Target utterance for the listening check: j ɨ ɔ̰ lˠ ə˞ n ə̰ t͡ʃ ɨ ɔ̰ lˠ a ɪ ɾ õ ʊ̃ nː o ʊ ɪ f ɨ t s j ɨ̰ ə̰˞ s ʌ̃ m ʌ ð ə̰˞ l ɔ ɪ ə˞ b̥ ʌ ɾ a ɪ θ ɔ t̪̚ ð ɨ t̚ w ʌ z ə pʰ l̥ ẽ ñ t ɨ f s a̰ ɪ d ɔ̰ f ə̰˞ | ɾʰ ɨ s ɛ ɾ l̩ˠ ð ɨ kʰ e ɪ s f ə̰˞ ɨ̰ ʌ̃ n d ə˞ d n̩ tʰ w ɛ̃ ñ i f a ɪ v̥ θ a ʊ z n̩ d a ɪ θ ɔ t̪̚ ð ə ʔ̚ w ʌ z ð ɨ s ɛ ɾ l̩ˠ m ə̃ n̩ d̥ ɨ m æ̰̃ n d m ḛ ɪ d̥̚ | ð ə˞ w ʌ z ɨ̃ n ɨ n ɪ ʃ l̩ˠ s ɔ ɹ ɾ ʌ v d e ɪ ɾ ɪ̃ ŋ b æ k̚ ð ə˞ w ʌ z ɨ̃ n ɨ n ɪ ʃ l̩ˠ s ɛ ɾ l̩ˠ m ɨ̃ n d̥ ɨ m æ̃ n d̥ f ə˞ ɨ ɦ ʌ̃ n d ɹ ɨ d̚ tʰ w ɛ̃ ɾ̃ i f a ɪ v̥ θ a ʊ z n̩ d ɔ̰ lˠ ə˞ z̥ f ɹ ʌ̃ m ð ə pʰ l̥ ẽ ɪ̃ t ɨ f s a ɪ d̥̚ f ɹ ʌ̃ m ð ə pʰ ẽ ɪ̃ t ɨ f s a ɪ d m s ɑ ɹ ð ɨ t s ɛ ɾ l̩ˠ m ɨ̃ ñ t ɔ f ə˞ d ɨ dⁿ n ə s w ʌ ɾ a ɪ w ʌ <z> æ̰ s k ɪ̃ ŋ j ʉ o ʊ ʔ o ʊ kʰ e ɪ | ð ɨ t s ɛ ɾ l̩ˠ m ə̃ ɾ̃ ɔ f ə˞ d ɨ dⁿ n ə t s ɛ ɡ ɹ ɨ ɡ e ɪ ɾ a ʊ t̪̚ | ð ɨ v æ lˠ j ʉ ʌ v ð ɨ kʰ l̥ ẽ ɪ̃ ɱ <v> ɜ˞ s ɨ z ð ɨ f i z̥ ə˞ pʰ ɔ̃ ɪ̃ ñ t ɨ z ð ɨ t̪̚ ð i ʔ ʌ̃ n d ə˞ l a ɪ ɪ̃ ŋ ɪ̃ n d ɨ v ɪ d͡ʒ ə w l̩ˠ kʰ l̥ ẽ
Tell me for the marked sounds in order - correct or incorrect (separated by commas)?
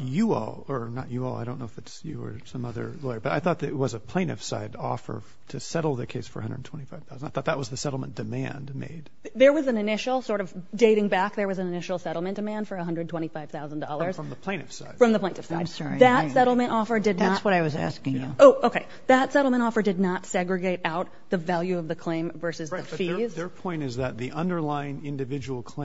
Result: correct, correct